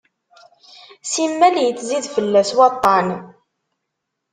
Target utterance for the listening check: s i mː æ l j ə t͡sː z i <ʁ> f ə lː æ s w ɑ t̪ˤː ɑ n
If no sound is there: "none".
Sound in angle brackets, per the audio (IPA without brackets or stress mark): ð